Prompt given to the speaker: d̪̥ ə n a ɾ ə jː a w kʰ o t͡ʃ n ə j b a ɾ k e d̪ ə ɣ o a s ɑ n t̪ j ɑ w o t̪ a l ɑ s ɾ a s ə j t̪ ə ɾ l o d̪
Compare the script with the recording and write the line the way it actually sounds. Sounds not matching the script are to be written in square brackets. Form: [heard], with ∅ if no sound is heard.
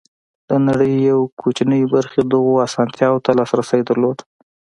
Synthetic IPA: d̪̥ ə n a [ɽ] ə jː a w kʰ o t͡ʃ n ə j b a ɾ [x] e d̪ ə ɣ o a s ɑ n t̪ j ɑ w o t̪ a l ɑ s ɾ a s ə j [d̪] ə ɾ l o d̪